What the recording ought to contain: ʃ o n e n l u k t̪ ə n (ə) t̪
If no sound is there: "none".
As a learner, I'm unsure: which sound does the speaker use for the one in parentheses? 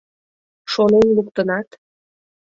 ɑ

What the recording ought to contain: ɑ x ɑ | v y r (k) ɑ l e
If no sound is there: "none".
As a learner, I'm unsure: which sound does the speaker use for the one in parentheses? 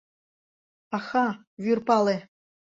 p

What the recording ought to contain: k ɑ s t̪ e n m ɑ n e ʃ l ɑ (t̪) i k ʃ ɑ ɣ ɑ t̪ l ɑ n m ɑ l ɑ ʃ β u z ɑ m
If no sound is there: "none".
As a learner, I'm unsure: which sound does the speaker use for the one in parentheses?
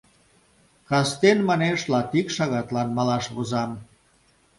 t̪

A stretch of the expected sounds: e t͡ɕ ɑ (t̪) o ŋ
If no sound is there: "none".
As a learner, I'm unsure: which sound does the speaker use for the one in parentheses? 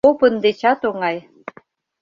t̪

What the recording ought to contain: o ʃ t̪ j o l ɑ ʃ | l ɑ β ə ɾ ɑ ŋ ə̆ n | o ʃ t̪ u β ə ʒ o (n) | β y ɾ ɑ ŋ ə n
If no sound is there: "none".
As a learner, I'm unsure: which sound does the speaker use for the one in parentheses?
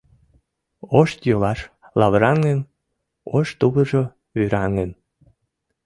none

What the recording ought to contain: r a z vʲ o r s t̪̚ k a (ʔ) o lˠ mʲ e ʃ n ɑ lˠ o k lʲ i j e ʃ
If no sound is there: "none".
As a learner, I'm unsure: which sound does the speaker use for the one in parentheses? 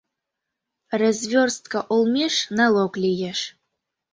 ʔ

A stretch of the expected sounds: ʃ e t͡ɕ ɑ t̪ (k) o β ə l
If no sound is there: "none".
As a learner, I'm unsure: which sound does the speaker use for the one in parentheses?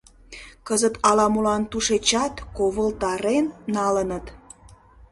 k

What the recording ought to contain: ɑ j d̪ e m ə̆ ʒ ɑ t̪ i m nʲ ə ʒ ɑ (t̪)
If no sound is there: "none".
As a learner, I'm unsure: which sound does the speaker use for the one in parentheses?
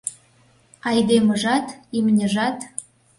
t̪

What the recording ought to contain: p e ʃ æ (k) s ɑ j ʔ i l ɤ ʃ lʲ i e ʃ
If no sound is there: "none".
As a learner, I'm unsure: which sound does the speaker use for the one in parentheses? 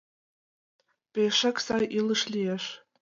k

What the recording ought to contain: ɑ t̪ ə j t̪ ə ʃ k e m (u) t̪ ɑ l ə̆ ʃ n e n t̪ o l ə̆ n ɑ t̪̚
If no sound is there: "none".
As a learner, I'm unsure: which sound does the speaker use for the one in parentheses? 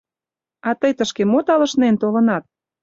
o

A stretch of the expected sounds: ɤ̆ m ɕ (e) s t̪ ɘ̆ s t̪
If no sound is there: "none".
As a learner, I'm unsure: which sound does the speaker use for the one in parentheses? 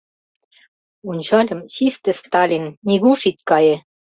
i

